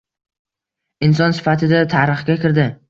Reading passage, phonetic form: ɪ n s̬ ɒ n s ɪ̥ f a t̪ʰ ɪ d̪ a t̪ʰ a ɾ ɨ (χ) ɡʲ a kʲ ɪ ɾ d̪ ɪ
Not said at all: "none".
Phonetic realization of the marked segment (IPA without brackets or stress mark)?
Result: χ